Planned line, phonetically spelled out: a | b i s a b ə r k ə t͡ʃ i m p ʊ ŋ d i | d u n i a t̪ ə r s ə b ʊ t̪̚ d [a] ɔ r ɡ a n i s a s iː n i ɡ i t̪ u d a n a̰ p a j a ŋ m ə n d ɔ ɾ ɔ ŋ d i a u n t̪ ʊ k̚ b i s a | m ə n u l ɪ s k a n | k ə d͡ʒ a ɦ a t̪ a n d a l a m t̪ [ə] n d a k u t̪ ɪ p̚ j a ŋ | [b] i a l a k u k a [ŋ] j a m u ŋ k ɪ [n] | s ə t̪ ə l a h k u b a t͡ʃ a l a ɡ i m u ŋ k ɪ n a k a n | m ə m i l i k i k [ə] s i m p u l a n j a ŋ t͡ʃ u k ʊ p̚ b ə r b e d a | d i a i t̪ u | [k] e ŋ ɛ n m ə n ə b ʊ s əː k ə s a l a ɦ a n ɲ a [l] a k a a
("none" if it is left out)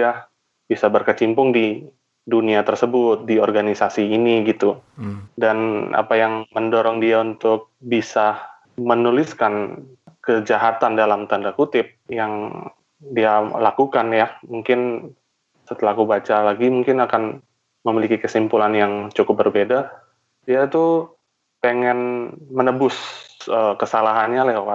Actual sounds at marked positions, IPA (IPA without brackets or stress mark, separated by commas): i, a, d, n, n, ə, p, l